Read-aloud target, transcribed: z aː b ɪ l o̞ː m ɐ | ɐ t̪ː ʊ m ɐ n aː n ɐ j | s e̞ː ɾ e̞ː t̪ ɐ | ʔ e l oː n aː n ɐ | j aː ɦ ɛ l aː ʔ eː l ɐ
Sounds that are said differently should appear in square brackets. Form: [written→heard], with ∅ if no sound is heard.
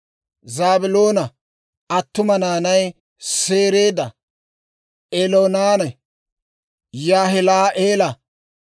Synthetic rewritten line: z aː b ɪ l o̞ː [m→n] ɐ | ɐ t̪ː ʊ m ɐ n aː n ɐ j | s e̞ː ɾ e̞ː [t̪→d̪] ɐ | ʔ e l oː n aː n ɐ | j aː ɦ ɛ l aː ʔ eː l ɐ

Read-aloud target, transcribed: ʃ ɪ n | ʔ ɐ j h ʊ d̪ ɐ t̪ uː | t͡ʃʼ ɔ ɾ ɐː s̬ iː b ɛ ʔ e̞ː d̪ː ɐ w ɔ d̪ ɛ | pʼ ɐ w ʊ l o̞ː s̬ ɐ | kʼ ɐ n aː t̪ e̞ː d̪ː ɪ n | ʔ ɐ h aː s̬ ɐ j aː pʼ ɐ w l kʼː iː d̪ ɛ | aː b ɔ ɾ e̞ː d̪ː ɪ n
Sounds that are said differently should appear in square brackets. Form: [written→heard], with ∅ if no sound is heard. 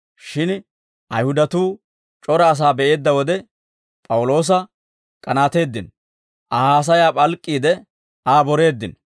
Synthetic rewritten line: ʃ ɪ n | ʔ ɐ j h ʊ d̪ ɐ t̪ uː | t͡ʃʼ ɔ ɾ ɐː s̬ [iː→aː] b ɛ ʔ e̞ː d̪ː ɐ w ɔ d̪ ɛ | pʼ ɐ w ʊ l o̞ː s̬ ɐ | kʼ ɐ n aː t̪ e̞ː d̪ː ɪ n | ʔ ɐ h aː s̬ ɐ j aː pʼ ɐ [w→∅] l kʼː iː d̪ ɛ | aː b ɔ ɾ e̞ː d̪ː ɪ n

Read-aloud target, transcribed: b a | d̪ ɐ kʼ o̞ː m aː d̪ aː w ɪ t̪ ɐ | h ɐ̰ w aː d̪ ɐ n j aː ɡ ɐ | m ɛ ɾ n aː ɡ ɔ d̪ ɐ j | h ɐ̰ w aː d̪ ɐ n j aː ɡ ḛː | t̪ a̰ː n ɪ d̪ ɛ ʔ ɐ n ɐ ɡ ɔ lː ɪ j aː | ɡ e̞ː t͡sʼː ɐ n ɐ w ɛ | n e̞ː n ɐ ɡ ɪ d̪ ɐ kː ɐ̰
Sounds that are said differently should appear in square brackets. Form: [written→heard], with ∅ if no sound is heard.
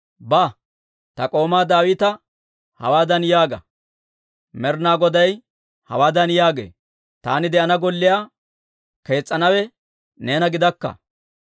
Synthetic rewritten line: b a | [d̪→t̪] ɐ kʼ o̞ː m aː d̪ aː w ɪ t̪ ɐ | h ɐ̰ w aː d̪ ɐ n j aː ɡ ɐ | m ɛ ɾ n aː ɡ ɔ d̪ ɐ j | h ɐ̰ w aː d̪ ɐ n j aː ɡ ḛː | t̪ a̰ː n ɪ d̪ ɛ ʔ ɐ n ɐ ɡ ɔ lː ɪ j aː | [ɡ→k] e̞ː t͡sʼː ɐ n ɐ w ɛ | n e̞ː n ɐ ɡ ɪ d̪ ɐ kː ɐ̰

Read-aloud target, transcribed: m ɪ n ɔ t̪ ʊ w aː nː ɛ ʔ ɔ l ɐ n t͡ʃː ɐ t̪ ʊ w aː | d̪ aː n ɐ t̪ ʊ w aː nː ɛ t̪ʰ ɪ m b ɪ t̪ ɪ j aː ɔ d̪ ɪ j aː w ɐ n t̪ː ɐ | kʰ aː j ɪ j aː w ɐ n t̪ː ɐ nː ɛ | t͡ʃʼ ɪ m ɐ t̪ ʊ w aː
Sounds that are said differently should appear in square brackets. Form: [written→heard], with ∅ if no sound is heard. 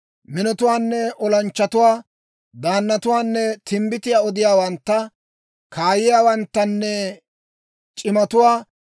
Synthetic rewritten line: m ɪ n ɔ t̪ ʊ w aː nː ɛ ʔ ɔ l ɐ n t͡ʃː ɐ t̪ ʊ w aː | d̪ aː [n→nː] ɐ t̪ ʊ w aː nː ɛ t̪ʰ ɪ m b ɪ t̪ ɪ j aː ɔ d̪ ɪ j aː w ɐ n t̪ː ɐ | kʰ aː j ɪ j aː w ɐ n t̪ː ɐ nː ɛ | t͡ʃʼ ɪ m ɐ t̪ ʊ w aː

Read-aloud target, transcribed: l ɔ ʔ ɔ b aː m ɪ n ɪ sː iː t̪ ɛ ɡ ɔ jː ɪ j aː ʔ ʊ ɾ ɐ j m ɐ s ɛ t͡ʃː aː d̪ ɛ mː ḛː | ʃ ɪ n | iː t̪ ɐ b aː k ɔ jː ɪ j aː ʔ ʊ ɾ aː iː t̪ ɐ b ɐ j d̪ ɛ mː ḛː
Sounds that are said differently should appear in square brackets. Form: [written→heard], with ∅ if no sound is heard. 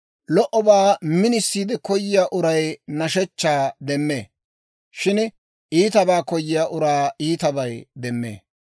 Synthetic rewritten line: l ɔ ʔ ɔ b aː m ɪ n ɪ sː iː [t̪→d̪] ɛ [ɡ→k] ɔ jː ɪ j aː ʔ ʊ ɾ ɐ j [m→n] ɐ [s→ʃ] ɛ t͡ʃː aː d̪ ɛ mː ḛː | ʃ ɪ n | iː t̪ ɐ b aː k ɔ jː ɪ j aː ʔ ʊ ɾ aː iː t̪ ɐ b ɐ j d̪ ɛ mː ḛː

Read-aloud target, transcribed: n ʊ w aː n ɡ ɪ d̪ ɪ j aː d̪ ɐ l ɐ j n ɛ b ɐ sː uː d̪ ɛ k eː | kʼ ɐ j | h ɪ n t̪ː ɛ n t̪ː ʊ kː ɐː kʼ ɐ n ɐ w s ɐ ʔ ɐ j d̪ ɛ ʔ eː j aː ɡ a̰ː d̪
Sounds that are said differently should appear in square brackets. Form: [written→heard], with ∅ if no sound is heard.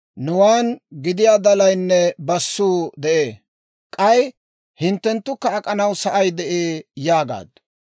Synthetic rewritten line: n ʊ w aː n ɡ ɪ d̪ ɪ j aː d̪ ɐ l ɐ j [n→nː] ɛ b ɐ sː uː d̪ ɛ [k→ʔ] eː | kʼ ɐ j | h ɪ n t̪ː ɛ n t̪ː ʊ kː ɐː kʼ ɐ n ɐ w s ɐ ʔ ɐ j d̪ ɛ ʔ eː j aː ɡ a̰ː d̪

